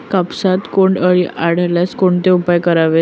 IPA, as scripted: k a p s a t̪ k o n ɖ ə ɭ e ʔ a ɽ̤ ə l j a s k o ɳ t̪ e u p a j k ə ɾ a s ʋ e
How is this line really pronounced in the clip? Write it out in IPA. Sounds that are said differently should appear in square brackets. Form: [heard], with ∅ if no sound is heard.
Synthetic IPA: k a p s a t̪ k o [ɳ] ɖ ə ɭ [i] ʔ a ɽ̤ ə l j a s k o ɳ t̪ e u p a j k ə ɾ a [∅] ʋ e